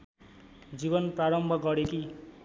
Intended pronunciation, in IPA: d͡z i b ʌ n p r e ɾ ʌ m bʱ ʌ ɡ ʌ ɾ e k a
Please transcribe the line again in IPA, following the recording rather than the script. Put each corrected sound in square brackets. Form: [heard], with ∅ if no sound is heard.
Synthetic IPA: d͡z i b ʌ n p r [a] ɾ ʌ m bʱ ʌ ɡ ʌ ɾ e k [i]